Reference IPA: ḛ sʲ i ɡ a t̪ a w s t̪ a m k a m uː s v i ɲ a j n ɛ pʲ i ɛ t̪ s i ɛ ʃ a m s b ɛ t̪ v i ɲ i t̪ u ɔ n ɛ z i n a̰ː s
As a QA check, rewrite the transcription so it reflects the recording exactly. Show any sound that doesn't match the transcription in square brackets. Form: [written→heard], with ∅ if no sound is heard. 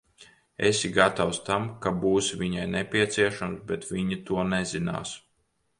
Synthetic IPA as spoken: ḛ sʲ i ɡ a t̪ a w s t̪ a m k a [m→b] uː s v i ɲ a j n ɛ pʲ i ɛ t̪ s i ɛ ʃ a m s b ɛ t̪ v i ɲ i t̪ u ɔ n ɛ z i n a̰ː s